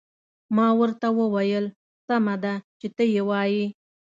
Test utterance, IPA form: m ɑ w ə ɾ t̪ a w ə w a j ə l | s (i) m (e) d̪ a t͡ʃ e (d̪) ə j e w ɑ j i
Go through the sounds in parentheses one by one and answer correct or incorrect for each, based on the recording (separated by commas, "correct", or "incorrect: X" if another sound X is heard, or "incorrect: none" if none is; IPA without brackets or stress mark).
incorrect: a, incorrect: a, incorrect: t̪